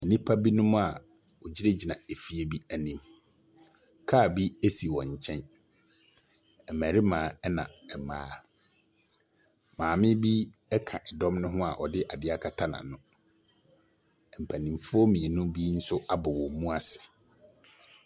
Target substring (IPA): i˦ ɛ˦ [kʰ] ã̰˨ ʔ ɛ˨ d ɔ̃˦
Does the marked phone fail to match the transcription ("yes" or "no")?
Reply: no